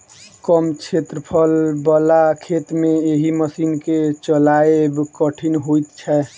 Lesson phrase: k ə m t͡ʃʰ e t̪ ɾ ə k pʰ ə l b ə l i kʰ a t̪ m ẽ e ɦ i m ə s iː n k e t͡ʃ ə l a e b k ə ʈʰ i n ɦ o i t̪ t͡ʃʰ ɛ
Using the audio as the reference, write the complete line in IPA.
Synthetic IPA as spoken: k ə m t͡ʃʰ e t̪ ɾ ə pʰ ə l b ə l a kʰ e t̪ m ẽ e ɦ i m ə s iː n k e t͡ʃ ə l a e b k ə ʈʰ i n ɦ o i t̪ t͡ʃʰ ɛ